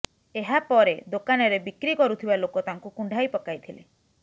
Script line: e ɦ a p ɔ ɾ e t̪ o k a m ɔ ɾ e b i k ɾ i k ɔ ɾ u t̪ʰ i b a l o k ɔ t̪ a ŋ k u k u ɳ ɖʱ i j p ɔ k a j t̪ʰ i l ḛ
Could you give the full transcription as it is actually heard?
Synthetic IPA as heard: e ɦ a p ɔ ɾ e d̪ o k a n ɔ ɾ e b i k ɾ i k ɔ ɾ u t̪ʰ i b a l o k ɔ t̪ a ŋ k u k u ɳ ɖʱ a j p ɔ k a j t̪ʰ i l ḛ